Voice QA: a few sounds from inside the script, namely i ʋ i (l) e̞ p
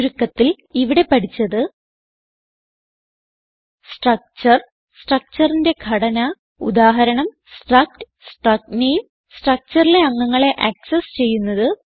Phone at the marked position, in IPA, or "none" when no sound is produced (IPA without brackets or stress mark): ɽ